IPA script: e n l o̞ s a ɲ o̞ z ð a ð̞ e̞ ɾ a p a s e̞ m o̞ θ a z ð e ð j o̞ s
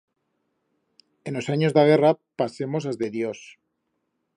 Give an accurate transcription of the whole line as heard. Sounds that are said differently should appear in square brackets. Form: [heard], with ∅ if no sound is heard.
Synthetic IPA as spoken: e n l o̞ s a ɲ o̞ z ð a [ɣ̞] e̞ [r] a p a s e̞ m o̞ [s] a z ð e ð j o̞ s